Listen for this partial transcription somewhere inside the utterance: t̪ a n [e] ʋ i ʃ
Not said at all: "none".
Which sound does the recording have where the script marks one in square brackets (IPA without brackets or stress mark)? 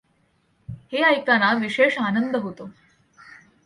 a